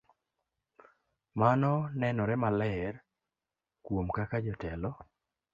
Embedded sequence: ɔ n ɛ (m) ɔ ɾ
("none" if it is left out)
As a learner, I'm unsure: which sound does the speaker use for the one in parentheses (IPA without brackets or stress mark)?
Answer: n